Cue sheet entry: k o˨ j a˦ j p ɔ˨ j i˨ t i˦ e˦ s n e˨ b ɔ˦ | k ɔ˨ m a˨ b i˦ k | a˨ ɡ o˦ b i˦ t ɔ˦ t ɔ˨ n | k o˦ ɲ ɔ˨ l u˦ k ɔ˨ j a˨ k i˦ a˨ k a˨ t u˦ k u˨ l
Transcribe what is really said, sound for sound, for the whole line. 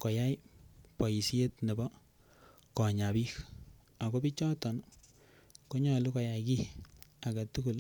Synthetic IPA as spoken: k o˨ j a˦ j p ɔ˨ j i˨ s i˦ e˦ t n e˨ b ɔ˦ | k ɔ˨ ɲ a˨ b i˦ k | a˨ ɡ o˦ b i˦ t͡ʃ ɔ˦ t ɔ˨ n | k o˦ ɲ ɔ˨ l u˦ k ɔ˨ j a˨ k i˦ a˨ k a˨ t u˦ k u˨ l